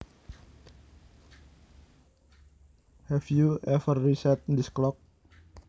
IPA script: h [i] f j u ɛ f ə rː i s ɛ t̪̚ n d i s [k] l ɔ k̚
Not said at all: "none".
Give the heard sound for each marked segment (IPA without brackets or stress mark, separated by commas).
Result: ɛ, k